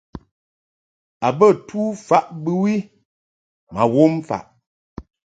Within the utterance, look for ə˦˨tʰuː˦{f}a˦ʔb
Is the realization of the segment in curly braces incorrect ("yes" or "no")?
no